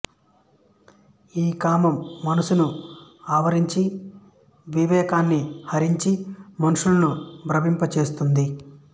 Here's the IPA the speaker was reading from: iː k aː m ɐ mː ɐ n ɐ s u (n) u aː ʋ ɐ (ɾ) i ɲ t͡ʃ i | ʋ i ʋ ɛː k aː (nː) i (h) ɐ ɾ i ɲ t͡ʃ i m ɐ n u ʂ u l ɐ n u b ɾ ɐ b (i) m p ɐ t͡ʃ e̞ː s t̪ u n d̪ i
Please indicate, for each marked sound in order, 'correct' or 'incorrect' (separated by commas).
correct, correct, correct, correct, correct